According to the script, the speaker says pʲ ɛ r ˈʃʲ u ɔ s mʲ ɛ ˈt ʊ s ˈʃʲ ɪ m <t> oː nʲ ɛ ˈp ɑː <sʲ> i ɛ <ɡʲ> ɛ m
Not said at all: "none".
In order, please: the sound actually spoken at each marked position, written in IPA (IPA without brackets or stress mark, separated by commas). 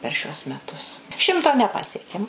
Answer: t, sʲ, kʲ